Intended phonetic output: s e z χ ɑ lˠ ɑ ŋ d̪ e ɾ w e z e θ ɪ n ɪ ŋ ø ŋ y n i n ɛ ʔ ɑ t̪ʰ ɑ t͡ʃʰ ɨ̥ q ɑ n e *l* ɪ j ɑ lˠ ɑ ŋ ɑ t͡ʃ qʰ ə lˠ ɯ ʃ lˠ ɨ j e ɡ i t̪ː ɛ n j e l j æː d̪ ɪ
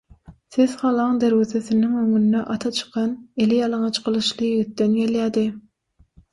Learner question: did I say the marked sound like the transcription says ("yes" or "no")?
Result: yes